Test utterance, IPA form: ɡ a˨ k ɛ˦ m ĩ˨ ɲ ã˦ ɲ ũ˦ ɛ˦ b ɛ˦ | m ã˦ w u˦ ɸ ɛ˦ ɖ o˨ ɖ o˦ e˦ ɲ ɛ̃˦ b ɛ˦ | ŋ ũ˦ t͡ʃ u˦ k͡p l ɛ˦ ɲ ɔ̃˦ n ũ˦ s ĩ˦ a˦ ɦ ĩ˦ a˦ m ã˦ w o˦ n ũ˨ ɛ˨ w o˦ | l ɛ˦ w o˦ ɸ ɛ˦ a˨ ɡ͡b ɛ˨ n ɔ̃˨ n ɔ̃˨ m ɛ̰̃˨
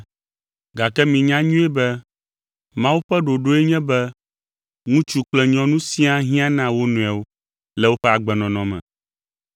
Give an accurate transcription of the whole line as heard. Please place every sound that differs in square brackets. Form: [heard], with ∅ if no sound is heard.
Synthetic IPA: ɡ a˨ k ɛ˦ m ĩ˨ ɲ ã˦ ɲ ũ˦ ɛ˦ b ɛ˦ | m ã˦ w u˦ ɸ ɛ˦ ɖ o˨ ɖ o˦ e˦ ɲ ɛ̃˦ b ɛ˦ | ŋ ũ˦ t͡ʃ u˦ k͡p l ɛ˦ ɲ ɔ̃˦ n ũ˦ s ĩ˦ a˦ ɦ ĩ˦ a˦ [n] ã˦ w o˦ n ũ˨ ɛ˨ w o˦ | l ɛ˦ w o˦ ɸ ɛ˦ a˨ ɡ͡b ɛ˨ n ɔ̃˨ n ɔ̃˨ m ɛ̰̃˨